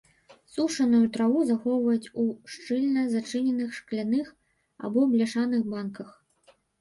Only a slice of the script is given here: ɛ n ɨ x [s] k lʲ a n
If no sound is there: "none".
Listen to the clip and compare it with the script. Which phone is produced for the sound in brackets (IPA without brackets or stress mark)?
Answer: ʂ